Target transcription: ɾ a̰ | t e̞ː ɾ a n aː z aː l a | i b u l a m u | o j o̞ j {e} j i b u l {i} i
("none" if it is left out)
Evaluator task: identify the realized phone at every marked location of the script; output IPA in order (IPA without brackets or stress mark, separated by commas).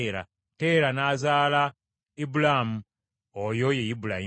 e, a